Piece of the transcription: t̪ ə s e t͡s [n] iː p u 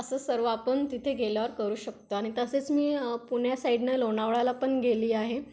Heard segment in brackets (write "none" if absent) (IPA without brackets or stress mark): m